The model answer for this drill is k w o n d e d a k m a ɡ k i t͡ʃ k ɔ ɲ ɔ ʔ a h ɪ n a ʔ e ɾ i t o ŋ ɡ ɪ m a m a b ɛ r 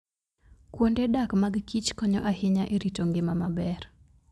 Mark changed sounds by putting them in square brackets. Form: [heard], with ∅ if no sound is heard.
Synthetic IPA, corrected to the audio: k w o n d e d a k m a ɡ k i t͡ʃ k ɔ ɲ ɔ ʔ a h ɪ [ɲ] a ʔ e ɾ i t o ŋ ɡ ɪ m a m a b ɛ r